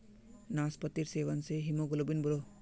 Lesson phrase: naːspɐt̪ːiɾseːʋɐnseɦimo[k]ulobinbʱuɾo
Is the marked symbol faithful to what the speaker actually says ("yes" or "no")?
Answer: no